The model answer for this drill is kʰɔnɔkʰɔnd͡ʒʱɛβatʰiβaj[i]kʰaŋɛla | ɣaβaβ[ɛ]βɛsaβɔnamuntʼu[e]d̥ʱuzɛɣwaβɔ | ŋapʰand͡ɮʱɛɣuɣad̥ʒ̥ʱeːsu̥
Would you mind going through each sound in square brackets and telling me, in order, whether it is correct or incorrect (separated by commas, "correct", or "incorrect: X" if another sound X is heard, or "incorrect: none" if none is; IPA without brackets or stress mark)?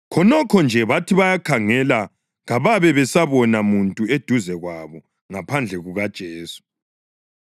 incorrect: a, correct, correct